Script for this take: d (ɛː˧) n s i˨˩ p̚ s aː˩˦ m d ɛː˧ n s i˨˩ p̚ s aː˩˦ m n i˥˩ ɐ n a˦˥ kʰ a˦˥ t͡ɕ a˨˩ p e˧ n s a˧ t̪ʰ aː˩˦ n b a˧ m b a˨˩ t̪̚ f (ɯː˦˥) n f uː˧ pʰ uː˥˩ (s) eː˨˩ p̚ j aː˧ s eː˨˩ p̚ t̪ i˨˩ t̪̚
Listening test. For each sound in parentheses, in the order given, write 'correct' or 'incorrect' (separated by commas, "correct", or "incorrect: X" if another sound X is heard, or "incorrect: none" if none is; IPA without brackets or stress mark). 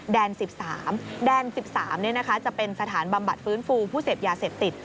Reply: correct, correct, correct